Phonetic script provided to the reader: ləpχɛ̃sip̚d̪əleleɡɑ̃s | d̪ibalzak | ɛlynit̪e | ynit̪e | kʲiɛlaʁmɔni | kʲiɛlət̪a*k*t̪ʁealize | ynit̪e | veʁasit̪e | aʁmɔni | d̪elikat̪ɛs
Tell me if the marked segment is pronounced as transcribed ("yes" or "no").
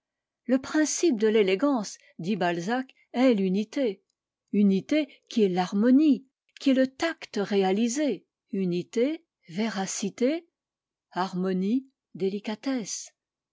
yes